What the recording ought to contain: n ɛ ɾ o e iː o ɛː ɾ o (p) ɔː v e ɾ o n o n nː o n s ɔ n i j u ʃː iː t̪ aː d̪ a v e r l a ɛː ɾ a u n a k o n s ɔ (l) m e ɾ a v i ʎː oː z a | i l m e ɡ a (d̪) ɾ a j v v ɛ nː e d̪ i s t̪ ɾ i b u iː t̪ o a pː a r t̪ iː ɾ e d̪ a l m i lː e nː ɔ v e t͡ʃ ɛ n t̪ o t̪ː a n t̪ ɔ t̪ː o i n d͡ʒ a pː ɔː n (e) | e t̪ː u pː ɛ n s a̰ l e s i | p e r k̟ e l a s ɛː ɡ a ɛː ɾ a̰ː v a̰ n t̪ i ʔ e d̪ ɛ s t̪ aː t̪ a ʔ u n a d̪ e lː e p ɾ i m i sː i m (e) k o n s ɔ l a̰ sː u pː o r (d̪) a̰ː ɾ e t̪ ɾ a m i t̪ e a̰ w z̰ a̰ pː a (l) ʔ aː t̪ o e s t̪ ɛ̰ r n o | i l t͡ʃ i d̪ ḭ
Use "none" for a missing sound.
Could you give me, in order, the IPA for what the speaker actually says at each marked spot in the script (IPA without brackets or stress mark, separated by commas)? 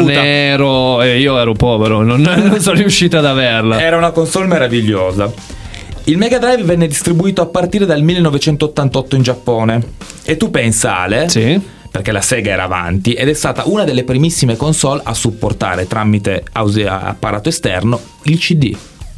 p, l, d̪, e, e, t̪, ɾ